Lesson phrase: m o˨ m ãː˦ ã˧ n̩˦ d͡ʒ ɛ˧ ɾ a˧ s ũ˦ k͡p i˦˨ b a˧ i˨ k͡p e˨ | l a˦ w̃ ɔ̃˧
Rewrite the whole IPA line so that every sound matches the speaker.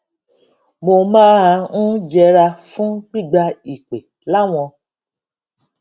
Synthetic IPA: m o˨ m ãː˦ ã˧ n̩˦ d͡ʒ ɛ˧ ɾ a˧ f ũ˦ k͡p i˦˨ ɡ͡b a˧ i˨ k͡p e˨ | l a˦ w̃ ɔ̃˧

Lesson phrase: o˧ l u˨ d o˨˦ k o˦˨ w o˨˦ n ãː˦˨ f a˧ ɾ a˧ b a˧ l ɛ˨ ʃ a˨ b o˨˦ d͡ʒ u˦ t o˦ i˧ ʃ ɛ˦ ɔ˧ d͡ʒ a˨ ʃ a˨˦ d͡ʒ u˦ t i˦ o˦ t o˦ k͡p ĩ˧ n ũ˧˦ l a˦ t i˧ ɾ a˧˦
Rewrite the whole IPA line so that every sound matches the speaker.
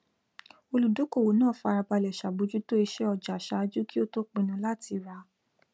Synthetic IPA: o˧ l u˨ d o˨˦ k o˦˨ w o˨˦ n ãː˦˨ f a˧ ɾ a˧ b a˧ l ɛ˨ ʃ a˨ b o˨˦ d͡ʒ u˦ t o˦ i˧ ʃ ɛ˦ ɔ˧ d͡ʒ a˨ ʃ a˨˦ d͡ʒ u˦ k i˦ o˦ t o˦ k͡p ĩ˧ n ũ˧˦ l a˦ t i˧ ɾ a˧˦

